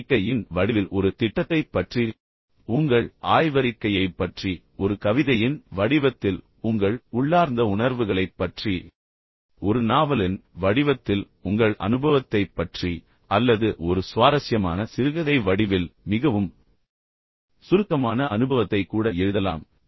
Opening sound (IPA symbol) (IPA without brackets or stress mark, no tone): kː